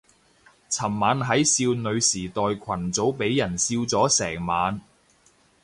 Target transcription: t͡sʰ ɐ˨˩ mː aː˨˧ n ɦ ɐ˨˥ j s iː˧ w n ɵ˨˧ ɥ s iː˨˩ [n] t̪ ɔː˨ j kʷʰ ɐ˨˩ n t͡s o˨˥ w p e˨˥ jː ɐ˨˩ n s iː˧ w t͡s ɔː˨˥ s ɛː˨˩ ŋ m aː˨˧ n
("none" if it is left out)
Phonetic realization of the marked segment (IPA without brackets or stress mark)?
none